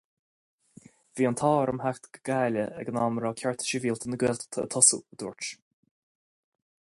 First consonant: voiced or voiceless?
voiced